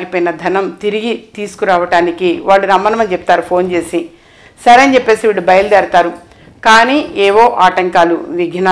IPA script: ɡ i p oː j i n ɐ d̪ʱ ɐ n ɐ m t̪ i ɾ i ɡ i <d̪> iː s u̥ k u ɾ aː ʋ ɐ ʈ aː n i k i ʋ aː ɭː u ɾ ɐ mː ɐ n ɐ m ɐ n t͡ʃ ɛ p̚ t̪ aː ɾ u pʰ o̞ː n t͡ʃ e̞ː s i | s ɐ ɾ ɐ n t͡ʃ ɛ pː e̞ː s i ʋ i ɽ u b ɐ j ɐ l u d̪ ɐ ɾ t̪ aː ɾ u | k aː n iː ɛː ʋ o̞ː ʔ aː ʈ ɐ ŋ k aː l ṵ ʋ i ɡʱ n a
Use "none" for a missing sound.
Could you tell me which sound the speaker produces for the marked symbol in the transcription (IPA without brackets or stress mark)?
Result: t̪